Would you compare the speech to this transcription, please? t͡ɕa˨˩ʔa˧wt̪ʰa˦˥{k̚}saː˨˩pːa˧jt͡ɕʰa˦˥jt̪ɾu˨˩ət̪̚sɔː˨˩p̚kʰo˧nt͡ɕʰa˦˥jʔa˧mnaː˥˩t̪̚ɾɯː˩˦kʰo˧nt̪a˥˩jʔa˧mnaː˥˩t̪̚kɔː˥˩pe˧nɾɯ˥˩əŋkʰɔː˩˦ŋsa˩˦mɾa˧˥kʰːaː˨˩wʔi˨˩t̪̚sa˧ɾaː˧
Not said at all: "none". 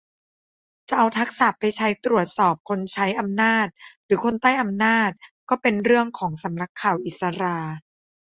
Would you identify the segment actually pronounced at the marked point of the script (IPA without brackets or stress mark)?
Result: k̚